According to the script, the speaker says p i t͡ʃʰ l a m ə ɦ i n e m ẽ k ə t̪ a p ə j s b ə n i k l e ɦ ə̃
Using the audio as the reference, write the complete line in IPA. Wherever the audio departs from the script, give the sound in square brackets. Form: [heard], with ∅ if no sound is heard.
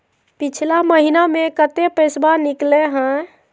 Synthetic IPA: p i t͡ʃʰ l a m ə ɦ i n [a] m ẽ k ə t̪ [e] p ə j s b [a] n i k l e ɦ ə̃